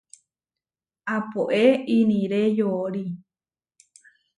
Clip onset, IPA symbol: a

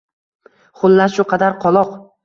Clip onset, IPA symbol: χ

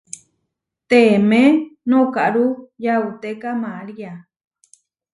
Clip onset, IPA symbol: t̪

